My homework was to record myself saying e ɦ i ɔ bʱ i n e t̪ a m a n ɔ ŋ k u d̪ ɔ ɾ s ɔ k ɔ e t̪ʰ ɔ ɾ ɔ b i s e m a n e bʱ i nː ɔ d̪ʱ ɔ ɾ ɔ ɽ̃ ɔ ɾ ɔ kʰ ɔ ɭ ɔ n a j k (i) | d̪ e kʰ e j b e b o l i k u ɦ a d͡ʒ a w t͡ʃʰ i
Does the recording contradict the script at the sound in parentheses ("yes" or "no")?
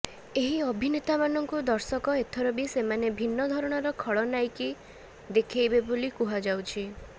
no